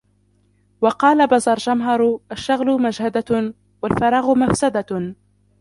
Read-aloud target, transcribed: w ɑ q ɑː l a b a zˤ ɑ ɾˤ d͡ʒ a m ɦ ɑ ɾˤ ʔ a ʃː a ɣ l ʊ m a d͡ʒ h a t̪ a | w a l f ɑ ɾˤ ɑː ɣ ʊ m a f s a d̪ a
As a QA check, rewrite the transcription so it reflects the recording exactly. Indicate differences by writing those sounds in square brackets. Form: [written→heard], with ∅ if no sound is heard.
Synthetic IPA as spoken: w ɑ q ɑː l a b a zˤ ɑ ɾˤ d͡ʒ a m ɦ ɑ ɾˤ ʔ a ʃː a ɣ l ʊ m a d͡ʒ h a [t̪→d̪] a | w a l f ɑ ɾˤ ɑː ɣ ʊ m a f s a d̪ a